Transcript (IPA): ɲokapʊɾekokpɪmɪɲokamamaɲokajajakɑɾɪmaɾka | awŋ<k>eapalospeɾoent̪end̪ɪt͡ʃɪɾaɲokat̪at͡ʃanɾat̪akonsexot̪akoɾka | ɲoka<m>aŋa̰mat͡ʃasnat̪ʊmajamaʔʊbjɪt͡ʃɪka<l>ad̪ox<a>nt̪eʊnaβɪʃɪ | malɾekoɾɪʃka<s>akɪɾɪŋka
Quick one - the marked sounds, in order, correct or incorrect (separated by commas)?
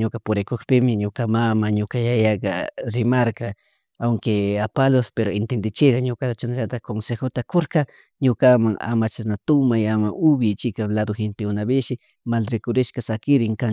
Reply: correct, correct, correct, incorrect, correct